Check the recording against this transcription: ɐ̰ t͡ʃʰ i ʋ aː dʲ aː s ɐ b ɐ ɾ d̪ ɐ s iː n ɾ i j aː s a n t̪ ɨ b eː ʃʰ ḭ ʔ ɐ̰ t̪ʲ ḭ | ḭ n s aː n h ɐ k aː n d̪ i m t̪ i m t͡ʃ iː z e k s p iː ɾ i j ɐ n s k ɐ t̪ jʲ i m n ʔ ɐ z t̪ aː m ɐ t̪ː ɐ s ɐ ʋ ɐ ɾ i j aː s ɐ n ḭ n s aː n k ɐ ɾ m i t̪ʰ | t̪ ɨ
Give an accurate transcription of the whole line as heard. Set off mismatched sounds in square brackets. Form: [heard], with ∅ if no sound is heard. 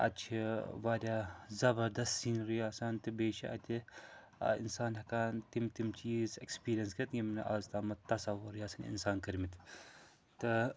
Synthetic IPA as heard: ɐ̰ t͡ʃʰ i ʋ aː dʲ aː [z] ɐ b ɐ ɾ d̪ ɐ s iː n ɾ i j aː s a n t̪ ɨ b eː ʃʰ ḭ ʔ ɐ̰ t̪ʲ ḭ | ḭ n s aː n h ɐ k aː n [t̪] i m t̪ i m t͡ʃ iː z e k s p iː ɾ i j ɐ n s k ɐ t̪ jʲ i m n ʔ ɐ z t̪ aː m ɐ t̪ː ɐ s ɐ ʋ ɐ ɾ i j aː s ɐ n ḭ n s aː n k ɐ ɾ m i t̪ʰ | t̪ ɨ